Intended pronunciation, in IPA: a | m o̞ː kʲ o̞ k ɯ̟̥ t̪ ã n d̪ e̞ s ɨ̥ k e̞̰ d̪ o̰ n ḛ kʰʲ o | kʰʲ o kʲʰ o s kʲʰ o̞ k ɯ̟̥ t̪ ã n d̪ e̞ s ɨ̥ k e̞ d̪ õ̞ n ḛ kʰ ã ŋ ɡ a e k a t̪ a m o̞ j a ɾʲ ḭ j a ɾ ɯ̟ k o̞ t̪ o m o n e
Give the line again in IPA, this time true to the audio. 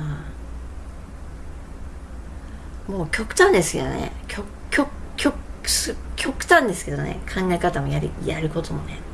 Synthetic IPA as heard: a | m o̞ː kʲ o̞ k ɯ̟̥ t̪ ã n d̪ e̞ s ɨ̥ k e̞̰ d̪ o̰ n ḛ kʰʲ o | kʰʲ o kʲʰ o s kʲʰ o̞ k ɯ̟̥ t̪ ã n d̪ e̞ s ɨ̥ k e̞ d̪ o̞ n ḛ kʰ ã ŋ ɡ a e k a t̪ a m o̞ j a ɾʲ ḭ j a ɾ ɯ̟ k o̞ t̪ o m o n e